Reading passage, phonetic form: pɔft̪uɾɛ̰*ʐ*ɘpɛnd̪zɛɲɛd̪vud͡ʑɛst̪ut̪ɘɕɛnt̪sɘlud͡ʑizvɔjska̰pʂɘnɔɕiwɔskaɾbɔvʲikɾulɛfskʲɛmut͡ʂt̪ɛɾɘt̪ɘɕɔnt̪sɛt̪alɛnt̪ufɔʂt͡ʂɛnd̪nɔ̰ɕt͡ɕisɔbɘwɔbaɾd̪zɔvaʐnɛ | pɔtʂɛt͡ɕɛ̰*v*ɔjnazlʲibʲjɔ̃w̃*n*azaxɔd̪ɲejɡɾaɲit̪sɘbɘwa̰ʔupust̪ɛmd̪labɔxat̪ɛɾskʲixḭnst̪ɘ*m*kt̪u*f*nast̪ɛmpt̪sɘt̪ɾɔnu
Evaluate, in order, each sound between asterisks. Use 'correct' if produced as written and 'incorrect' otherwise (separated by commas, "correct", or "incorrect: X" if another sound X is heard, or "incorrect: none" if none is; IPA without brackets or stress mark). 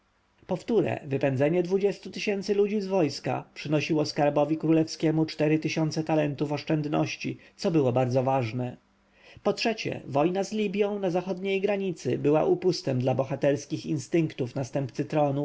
incorrect: v, correct, correct, incorrect: ŋ, correct